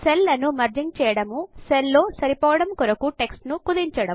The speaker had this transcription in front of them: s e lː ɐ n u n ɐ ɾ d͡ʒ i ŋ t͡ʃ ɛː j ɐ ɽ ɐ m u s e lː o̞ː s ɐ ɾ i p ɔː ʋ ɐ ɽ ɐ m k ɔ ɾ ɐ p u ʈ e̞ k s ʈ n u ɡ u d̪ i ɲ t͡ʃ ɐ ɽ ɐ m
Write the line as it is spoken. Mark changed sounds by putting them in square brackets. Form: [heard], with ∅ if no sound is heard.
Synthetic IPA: s e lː ɐ n u [m] ɐ ɾ d͡ʒ i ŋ t͡ʃ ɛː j ɐ ɽ ɐ m u s e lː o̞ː s ɐ ɾ i p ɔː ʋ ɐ ɽ ɐ m k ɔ ɾ ɐ [k] u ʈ e̞ k s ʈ n u [k] u d̪ i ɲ t͡ʃ ɐ ɽ ɐ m

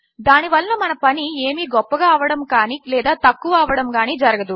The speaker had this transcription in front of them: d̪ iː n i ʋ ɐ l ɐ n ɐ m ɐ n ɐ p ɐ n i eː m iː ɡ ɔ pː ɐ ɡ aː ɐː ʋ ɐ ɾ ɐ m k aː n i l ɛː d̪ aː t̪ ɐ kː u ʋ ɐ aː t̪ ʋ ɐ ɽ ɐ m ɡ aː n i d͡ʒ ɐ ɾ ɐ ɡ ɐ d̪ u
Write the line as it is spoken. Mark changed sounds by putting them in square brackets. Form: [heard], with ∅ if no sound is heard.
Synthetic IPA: d̪ [aː] n i ʋ ɐ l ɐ n ɐ m ɐ n ɐ p ɐ n i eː m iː ɡ ɔ pː ɐ ɡ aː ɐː ʋ ɐ [ɽ] ɐ m k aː n i l ɛː d̪ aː t̪ ɐ kː u ʋ ɐ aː [∅] ʋ ɐ ɽ ɐ m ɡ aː n i d͡ʒ ɐ ɾ ɐ ɡ ɐ d̪ u

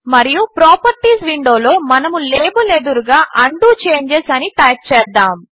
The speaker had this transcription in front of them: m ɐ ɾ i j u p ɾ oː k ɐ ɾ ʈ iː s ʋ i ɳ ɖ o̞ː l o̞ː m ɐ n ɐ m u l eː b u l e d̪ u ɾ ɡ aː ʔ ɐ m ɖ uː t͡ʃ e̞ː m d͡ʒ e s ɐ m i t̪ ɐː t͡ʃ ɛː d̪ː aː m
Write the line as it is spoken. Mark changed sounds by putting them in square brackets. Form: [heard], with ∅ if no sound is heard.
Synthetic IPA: m ɐ ɾ i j u p ɾ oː [p] ɐ ɾ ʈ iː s ʋ i ɳ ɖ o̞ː l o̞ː m ɐ n ɐ m u l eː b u l e d̪ u ɾ ɡ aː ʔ ɐ [ɳ] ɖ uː t͡ʃ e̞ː [ɲ] d͡ʒ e s ɐ [n] i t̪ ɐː t͡ʃ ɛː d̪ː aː m

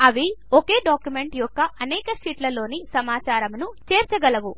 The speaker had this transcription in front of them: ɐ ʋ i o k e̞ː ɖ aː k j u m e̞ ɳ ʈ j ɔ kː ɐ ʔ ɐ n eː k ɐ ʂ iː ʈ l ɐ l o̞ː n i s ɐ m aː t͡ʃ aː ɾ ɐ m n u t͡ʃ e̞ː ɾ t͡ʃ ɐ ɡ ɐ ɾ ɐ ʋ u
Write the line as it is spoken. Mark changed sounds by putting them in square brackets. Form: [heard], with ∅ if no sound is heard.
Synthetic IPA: ɐ ʋ i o k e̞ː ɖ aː k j u m e̞ ɳ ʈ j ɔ kː ɐ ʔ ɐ n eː k ɐ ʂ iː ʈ l ɐ l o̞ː n i s ɐ m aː t͡ʃ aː ɾ ɐ m n u t͡ʃ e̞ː ɾ t͡ʃ ɐ ɡ ɐ [l] ɐ ʋ u

